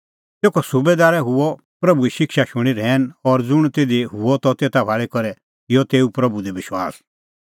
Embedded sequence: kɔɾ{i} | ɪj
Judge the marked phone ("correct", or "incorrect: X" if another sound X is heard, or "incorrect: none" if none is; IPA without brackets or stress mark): incorrect: ɛ